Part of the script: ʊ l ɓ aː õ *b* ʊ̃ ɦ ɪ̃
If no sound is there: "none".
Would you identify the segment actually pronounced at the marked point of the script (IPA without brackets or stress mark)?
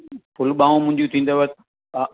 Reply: m